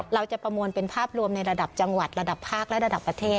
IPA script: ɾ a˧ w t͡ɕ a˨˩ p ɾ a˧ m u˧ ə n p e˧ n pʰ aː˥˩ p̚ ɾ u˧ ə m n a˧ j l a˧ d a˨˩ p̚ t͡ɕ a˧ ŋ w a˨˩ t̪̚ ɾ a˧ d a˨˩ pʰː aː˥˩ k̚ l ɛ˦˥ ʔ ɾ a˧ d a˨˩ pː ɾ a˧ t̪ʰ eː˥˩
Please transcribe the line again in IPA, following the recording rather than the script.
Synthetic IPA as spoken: ɾ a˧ w t͡ɕ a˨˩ p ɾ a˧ m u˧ ə n p e˧ n pʰ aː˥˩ p̚ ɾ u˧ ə m n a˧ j ɾ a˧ d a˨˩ p̚ t͡ɕ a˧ ŋ w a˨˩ t̪̚ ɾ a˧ d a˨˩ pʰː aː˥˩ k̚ l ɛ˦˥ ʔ ɾ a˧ d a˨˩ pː ɾ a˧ t̪ʰ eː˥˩

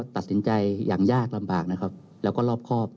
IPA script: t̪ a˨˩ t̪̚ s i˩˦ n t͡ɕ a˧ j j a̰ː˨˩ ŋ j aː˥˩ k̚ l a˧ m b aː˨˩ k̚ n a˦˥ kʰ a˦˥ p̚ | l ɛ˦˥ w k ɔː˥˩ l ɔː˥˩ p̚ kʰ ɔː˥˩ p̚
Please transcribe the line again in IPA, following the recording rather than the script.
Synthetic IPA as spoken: t̪ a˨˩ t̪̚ s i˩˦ n t͡ɕ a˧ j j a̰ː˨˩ ŋ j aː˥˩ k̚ l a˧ m b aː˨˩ k̚ n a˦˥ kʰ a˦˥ p̚ | l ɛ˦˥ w k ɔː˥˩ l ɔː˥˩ p̚ kʰ ɔː˥˩ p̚

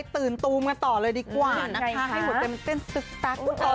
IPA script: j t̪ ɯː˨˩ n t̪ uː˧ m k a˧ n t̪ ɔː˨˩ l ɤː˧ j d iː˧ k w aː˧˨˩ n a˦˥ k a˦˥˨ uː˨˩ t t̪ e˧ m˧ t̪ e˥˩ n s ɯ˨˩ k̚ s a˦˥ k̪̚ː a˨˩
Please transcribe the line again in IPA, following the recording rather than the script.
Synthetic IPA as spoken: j t̪ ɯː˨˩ n t̪ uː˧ m k a˧ n t̪ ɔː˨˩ l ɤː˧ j d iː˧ k w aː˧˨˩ n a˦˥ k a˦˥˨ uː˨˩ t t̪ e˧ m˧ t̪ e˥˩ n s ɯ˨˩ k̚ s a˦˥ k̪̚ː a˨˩

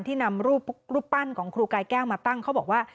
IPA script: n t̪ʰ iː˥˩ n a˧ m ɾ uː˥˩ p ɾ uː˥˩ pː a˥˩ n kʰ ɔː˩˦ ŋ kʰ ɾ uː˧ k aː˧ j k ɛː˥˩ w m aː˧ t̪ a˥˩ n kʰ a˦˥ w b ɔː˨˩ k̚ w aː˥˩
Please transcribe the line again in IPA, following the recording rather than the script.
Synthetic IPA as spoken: n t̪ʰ iː˥˩ n a˧ m ɾ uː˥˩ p ɾ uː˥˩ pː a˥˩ n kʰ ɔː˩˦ ŋ kʰ ɾ uː˧ k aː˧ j k ɛː˥˩ w m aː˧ t̪ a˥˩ ŋ kʰ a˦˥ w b ɔː˨˩ k̚ w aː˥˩

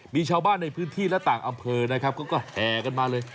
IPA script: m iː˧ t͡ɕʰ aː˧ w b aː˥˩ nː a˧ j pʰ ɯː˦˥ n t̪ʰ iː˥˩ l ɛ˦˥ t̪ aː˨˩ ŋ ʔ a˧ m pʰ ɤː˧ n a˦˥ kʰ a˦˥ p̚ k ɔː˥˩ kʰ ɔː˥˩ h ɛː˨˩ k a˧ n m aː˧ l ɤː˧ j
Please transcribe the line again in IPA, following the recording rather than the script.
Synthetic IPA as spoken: m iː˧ t͡ɕʰ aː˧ w b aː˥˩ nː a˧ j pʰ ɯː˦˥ n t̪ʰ iː˥˩ l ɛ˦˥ t̪ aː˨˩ ŋ ʔ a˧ m pʰ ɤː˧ n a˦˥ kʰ a˦˥ p̚ k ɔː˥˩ k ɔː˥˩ h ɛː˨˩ k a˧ n m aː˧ l ɤː˧ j

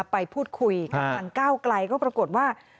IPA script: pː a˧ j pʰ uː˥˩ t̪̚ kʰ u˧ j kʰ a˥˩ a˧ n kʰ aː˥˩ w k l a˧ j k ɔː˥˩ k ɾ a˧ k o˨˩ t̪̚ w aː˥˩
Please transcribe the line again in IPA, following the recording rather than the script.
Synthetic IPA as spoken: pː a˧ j pʰ uː˥˩ t̪̚ kʰ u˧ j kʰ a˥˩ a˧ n k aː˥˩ w k l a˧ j k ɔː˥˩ p ɾ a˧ k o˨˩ t̪̚ w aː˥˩

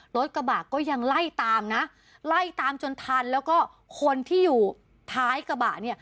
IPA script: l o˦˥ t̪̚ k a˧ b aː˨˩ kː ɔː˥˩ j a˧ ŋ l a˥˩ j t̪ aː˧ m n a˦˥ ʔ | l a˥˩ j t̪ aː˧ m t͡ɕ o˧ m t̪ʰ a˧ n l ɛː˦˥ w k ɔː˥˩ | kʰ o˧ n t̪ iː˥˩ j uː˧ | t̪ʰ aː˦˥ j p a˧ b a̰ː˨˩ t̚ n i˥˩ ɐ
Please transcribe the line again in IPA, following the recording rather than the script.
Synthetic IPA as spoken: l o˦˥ t̪̚ k a˧ b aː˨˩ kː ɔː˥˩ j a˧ ŋ l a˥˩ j t̪ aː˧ m n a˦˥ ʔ | l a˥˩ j t̪ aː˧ m t͡ɕ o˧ n t̪ʰ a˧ n l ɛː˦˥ w k ɔː˥˩ | kʰ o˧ n t̪ʰ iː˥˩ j uː˨˩ | t̪ʰ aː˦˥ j k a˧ b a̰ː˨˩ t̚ n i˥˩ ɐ

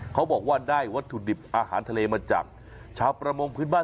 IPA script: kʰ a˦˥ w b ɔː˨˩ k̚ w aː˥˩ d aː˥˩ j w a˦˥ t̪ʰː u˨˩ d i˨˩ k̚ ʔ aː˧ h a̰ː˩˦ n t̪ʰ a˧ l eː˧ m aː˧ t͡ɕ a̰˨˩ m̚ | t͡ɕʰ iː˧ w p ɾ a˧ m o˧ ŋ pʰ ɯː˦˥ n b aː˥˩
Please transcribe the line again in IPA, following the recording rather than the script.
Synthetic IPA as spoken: kʰ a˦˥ w b ɔː˨˩ k̚ w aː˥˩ d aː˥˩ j w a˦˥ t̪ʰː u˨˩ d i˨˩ p̚ ʔ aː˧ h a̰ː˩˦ n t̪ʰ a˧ l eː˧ m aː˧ t͡ɕ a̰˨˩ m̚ | t͡ɕʰ aː˧ w p ɾ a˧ m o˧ ŋ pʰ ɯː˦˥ n b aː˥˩

